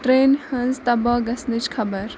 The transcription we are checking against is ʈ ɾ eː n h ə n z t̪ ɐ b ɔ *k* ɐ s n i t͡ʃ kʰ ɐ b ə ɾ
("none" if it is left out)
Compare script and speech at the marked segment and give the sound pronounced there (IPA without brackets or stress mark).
ɡ